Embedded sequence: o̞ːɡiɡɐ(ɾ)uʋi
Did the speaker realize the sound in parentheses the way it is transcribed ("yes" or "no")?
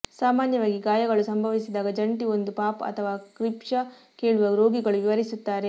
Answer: no